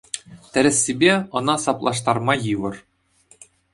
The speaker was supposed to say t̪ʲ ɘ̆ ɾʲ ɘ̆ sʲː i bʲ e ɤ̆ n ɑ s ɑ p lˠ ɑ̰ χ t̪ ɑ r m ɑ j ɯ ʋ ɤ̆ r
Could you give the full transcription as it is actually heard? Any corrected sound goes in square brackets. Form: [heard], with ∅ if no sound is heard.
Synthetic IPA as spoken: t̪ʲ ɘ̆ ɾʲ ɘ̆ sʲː i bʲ e ɤ̆ n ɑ s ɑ p lˠ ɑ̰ [ʂ] t̪ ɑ r m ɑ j ɯ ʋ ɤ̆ r

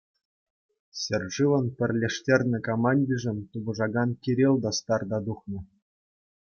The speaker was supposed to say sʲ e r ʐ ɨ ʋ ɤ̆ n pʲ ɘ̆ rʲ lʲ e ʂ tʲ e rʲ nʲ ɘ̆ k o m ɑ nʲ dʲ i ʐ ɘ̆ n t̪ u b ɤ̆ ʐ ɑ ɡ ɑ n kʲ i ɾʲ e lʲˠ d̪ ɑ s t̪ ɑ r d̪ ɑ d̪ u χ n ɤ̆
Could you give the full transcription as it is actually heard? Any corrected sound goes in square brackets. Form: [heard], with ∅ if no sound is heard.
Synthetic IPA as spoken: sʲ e r ʐ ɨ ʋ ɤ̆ n pʲ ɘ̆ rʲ lʲ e ʂ tʲ e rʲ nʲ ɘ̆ k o m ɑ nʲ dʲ i ʐ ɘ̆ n t̪ u b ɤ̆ ʐ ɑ ɡ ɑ n kʲ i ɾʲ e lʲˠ d̪ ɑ s t̪ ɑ r d̪ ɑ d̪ u χ n ɤ̆

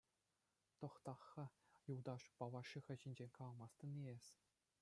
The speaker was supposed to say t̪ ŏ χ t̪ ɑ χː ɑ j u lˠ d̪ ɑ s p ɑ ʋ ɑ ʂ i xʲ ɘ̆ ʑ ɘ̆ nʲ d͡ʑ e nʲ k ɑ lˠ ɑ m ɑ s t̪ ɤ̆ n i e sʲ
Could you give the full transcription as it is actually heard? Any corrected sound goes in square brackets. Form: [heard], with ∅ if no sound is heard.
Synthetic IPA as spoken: t̪ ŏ χ t̪ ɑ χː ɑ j u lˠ d̪ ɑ [ʂ] p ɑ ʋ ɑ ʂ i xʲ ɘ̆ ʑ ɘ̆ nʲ d͡ʑ e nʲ k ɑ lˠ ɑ m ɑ s t̪ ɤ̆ n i e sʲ

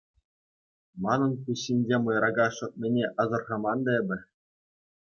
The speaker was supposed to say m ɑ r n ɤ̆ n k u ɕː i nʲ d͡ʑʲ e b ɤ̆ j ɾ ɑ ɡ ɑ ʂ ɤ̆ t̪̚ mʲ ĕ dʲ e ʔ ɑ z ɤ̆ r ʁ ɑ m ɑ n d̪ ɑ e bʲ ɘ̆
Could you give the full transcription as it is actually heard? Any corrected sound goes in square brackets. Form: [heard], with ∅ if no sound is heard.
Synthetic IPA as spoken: m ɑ [∅] n ɤ̆ n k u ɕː i nʲ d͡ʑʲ e [m] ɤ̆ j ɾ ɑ ɡ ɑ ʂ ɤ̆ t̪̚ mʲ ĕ [nʲ] e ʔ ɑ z ɤ̆ r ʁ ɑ m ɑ n d̪ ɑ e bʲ ɘ̆

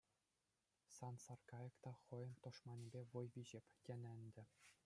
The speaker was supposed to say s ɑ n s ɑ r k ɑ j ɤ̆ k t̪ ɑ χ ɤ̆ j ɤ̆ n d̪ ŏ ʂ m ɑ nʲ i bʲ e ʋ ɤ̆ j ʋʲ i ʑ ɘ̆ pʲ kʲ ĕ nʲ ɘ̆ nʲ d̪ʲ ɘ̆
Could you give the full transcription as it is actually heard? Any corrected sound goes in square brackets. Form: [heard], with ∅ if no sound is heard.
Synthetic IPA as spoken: s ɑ n s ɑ r k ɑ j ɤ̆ k t̪ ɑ χ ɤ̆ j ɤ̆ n [t̪] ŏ ʂ m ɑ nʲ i bʲ e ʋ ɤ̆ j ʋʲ i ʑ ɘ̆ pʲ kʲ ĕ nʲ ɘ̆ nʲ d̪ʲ ɘ̆

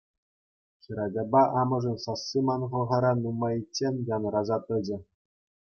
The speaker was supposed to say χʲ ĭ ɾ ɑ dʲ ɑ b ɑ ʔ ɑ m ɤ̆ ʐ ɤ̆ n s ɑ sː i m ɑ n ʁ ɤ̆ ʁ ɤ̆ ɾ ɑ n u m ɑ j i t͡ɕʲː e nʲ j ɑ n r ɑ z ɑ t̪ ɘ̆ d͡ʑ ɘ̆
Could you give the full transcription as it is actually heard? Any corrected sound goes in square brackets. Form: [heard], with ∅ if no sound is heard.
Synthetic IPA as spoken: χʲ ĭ ɾ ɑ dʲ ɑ b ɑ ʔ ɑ m ɤ̆ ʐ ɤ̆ n s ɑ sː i m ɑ n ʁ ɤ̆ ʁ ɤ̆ ɾ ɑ n u m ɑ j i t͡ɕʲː e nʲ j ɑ n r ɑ z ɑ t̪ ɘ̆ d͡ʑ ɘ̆

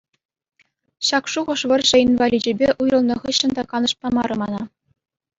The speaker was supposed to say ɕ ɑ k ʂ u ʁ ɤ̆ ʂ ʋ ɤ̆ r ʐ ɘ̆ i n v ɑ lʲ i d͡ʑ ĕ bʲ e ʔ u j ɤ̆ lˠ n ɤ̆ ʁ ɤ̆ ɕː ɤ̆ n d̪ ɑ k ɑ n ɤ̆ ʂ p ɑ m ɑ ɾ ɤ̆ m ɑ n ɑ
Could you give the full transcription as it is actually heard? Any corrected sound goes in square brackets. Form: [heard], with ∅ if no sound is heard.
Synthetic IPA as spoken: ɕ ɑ k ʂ u ʁ ɤ̆ ʂ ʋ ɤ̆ r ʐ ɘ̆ i n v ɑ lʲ i d͡ʑ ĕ bʲ e ʔ u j ɤ̆ lˠ n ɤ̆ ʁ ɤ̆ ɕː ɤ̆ n d̪ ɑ k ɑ n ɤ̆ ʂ p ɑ m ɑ ɾ ɤ̆ m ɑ n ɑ

